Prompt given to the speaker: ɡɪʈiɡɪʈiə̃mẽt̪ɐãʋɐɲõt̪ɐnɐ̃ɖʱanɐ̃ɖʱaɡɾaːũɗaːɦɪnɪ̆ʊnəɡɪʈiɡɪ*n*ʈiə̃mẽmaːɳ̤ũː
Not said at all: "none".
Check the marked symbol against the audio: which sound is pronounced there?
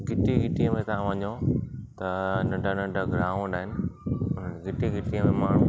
none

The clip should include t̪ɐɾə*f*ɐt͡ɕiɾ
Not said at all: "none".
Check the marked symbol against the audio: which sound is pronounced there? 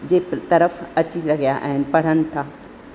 f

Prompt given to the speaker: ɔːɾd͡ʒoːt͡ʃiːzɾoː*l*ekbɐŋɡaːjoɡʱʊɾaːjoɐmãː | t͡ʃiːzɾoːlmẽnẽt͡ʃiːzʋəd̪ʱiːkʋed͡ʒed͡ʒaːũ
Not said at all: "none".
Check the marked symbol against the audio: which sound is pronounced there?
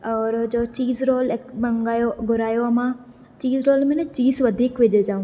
l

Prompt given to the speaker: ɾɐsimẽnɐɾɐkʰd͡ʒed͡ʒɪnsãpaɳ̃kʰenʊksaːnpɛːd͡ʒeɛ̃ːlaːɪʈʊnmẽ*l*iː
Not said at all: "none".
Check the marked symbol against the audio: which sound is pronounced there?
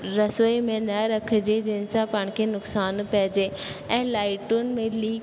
l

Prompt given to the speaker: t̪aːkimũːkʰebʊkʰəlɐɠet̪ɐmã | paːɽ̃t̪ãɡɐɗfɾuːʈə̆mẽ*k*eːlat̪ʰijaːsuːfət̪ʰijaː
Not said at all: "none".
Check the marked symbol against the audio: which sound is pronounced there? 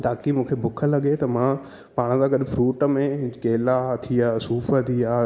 k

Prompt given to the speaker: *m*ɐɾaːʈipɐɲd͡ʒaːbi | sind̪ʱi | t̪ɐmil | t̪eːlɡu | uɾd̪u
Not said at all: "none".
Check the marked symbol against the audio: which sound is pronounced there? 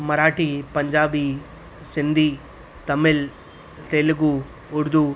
m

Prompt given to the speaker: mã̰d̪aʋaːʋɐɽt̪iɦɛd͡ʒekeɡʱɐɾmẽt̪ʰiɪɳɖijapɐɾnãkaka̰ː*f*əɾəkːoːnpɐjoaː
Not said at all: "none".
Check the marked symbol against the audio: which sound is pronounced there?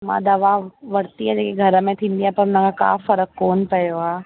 f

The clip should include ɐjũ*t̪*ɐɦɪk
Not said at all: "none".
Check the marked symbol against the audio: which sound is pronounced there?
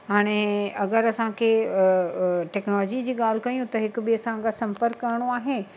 t̪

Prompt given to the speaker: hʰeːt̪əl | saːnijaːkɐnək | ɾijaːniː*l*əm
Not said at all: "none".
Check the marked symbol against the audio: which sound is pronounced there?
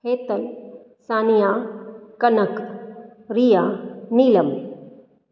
l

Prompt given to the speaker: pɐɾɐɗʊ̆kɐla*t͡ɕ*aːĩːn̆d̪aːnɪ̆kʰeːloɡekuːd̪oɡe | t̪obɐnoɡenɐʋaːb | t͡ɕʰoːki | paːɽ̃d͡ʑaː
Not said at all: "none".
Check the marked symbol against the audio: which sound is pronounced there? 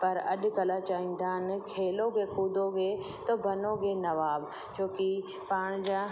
t͡ɕ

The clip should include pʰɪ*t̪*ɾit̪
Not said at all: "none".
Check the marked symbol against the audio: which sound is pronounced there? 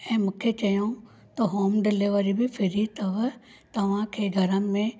none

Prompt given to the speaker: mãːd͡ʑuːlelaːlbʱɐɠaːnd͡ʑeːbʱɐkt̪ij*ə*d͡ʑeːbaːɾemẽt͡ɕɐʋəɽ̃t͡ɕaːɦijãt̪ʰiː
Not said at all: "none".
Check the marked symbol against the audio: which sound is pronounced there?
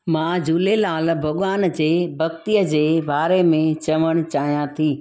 ə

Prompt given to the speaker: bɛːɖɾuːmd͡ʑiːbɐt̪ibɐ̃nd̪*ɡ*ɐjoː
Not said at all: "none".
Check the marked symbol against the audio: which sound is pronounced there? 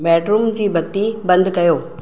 k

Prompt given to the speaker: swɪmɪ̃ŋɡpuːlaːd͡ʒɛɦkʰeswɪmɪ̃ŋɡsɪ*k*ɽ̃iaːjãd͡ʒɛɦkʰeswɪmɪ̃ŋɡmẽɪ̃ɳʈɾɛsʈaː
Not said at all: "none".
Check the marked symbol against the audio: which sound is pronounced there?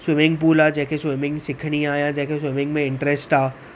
kʰ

